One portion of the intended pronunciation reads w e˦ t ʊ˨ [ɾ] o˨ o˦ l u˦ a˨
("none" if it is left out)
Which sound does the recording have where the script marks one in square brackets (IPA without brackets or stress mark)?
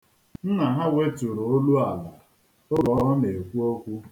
ɾ